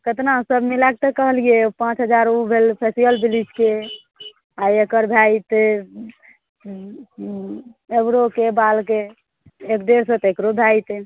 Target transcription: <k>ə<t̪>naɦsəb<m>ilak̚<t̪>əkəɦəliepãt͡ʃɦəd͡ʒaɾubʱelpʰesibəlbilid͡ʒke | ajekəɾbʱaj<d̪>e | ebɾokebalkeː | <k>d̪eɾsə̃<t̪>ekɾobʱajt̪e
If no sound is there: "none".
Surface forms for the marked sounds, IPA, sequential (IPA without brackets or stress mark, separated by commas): k, t̪, m, t̪, t̪, k, t̪